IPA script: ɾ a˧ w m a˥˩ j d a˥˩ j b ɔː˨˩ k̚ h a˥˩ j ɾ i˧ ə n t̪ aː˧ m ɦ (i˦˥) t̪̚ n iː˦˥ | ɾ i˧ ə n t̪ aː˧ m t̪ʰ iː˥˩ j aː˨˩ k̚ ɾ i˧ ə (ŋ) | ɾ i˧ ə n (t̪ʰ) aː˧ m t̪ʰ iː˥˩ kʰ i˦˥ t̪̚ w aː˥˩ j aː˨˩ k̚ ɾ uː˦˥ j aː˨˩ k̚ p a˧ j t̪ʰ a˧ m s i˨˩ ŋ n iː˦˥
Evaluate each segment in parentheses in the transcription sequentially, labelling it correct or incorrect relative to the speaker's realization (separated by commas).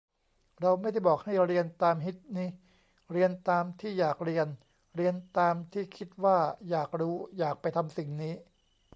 correct, incorrect, incorrect